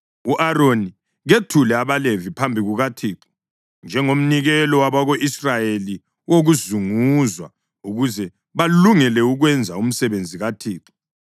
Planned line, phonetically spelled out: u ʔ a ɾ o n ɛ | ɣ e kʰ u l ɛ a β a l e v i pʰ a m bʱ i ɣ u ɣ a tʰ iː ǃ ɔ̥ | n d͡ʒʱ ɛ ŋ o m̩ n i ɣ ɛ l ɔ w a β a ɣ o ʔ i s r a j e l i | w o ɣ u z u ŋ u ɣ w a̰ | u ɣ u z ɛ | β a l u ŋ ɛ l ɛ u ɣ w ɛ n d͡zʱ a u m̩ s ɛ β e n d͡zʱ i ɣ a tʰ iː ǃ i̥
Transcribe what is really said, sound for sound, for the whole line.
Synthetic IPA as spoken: u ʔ a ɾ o n i | ɣ e tʰ u l ɛ a β a l e v i pʰ a m bʱ i ɣ u ɣ a tʰ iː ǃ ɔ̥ | n d͡ʒʱ ɛ ŋ o m̩ n i ɣ ɛ l ɔ w a β a ɣ o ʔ i s r a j e l i | w o ɣ u z u ŋ u z w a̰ | u ɣ u z ɛ | β a l u ŋ ɛ l ɛ u ɣ w ɛ n d͡zʱ a u m̩ s ɛ β e n d͡zʱ i ɣ a tʰ iː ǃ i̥

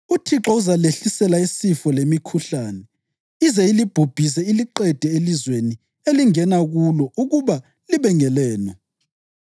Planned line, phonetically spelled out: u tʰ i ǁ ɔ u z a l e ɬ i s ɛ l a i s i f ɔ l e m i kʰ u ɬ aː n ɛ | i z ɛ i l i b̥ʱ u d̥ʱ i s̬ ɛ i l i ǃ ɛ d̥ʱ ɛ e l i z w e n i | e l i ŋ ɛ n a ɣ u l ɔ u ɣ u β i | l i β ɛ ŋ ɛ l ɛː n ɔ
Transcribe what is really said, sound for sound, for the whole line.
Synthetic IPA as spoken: u tʰ i ǁ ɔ u z a l e ɬ i s ɛ l a i s i f ɔ l e m i kʰ u ɬ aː n ɛ | i z ɛ i l i b̥ʱ u b̥ʱ i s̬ ɛ i l i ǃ ɛ d̥ʱ ɛ e l i z w e n i | e l i ŋ ɛ n a ɣ u l ɔ u ɣ u β a | l i β ɛ ŋ ɛ l ɛː n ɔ

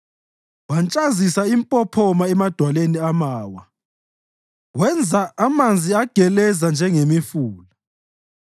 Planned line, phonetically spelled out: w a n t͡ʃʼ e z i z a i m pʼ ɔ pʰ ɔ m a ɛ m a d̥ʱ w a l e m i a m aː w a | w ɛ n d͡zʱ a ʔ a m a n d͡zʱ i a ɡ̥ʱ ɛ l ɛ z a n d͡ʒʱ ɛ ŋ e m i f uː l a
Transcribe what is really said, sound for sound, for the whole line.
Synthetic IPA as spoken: w a n t͡ʃʼ a z i s a i m pʼ ɔ pʰ ɔ m a ɛ m a d̥ʱ w a l e n i a m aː w a | w ɛ n d͡zʱ a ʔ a m a n d͡zʱ i a ɡ̥ʱ ɛ l ɛ z a n d͡ʒʱ ɛ ŋ e m i f uː l a

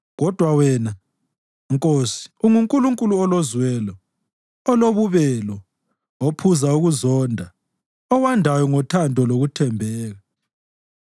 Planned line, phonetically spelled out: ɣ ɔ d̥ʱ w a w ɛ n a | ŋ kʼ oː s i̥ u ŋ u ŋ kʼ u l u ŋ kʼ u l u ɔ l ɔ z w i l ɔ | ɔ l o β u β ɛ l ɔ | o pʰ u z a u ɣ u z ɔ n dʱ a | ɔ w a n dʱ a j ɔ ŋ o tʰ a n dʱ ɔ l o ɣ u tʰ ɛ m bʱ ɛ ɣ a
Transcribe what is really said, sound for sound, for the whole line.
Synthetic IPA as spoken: ɣ ɔ d̥ʱ w a w ɛ n a | ŋ kʼ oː s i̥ u ŋ u ŋ kʼ u l u ŋ kʼ u l u ɔ l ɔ z w ɛ l ɔ | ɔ l o β u β ɛ l ɔ | o pʰ u z a u ɣ u z ɔ n dʱ a | ɔ w a n dʱ a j ɔ ŋ ɔ tʰ a n dʱ ɔ l o ɣ u tʰ ɛ m bʱ ɛː ɣ a

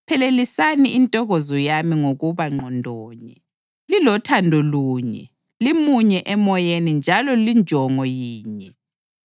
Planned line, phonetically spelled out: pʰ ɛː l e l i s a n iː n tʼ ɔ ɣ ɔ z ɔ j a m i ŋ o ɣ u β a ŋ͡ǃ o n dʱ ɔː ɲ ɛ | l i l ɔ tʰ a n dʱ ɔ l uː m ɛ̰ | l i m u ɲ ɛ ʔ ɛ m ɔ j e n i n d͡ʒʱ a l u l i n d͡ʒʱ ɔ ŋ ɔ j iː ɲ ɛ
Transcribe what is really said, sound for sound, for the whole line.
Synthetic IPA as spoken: pʰ ɛ l e l i s a n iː n tʼ ɔ ɣ ɔ z ɔ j a m i ŋ o ɣ u β a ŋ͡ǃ ɔ n dʱ ɔː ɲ ɛ | l i l ɔ tʰ a n dʱ ɔ l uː ɲ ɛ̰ | l i m u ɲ ɛ ʔ ɛ m ɔ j e n i n d͡ʒʱ a l ɔ l i n d͡ʒʱ ɔ ŋ ɔ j iː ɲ ɛ

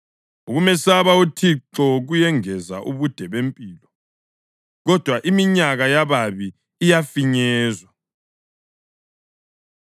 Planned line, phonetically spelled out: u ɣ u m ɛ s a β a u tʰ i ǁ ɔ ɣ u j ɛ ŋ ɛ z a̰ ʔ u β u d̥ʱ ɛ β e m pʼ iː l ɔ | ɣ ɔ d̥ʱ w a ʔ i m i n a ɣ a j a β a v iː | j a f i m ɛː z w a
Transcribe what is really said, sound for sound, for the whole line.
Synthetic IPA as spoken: u ɣ u m ɛ s a β a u tʰ i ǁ ɔ ɣ u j ɛ ŋ ɛ z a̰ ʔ u β u d̥ʱ ɛ β e m pʼ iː l ɔ | ɣ ɔ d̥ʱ w a ʔ i m i ɲ a ɣ a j a β a β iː | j a f i ɲ ɛː z w a

